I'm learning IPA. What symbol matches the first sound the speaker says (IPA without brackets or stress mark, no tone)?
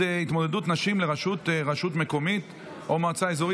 i